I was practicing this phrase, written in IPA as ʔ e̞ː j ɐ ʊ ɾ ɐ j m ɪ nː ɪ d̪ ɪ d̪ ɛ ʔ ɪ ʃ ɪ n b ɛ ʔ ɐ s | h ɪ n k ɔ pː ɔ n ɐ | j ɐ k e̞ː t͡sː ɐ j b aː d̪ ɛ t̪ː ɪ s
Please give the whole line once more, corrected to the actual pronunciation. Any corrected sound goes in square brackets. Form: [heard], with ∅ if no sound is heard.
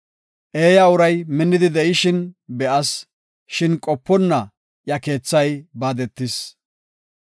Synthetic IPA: ʔ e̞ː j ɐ ʊ ɾ ɐ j m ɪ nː ɪ d̪ ɪ d̪ ɛ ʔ ɪ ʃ ɪ n b ɛ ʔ ɐ s | [ʃ] ɪ n [kʼ] ɔ pː ɔ [nː] ɐ | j ɐ k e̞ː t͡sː ɐ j b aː d̪ ɛ t̪ː ɪ s